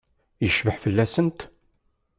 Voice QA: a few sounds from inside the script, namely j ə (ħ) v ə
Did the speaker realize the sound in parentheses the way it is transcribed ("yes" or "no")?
no